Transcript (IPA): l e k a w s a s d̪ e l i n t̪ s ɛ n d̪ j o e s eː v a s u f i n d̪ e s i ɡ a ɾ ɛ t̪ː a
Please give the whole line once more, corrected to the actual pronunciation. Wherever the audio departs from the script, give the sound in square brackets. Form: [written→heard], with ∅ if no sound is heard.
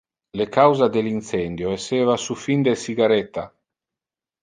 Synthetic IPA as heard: l e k a w [s→z] a [s→∅] d̪ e l i n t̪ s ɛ n d̪ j o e s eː v a s u f i n d̪ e s i ɡ a ɾ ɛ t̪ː a